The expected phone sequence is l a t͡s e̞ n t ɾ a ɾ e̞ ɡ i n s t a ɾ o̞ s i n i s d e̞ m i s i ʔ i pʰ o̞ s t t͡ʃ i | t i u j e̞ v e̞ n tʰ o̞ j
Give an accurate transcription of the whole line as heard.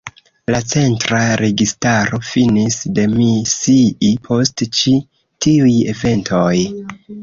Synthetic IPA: l a t͡s e̞ n t ɾ a ɾ e̞ ɡ i s t a ɾ o̞ f i n i s d e̞ m i s i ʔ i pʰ o̞ s t t͡ʃ i | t i u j e̞ v e̞ n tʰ o̞ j